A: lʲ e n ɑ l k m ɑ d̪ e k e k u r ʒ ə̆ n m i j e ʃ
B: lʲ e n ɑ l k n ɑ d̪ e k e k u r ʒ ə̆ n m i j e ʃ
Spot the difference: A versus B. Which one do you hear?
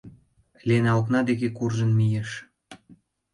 B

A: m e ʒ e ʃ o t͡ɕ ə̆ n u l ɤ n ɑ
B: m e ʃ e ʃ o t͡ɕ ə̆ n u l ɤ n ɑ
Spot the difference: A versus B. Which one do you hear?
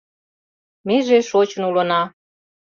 A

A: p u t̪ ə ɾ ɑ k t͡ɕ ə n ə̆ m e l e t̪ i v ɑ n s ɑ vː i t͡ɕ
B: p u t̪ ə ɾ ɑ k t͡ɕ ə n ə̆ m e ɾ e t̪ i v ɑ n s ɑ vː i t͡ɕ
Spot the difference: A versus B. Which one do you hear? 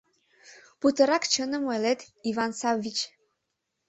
A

